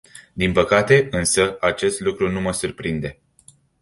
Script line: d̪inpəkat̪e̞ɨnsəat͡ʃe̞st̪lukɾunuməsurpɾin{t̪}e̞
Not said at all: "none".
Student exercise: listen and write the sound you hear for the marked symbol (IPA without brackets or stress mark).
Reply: d̪